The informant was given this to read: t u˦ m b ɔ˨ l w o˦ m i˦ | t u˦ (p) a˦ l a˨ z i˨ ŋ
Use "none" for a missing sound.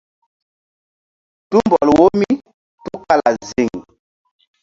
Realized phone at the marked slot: k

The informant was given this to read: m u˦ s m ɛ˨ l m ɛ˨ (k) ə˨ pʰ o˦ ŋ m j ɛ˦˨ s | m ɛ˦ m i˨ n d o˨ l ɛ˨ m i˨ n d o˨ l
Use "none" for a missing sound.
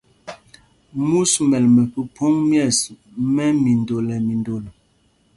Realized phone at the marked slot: p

